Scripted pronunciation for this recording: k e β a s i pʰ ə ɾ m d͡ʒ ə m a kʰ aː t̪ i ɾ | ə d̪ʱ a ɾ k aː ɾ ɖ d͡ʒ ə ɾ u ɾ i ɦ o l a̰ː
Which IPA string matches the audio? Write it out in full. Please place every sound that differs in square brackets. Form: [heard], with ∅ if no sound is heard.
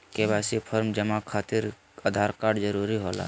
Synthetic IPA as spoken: k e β a s i pʰ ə ɾ m d͡ʒ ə m a kʰ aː t̪ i ɾ | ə d̪ʱ a ɾ k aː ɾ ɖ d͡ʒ ə ɾ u ɾ i ɦ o l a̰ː